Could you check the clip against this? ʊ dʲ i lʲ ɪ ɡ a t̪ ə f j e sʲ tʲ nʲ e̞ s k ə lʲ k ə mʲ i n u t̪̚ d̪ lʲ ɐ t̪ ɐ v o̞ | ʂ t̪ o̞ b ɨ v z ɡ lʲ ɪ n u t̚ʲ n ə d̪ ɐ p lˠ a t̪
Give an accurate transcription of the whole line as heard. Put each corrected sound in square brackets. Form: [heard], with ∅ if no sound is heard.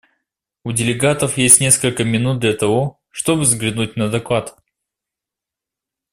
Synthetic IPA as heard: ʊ dʲ [ɪ] lʲ ɪ ɡ a t̪ ə f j e sʲ tʲ nʲ e̞ s k ə lʲ k ə mʲ [ɪ] n u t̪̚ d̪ lʲ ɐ t̪ ɐ v o̞ | ʂ t̪ o̞ b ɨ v z ɡ lʲ ɪ n u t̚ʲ n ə d̪ ɐ [k] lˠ a t̪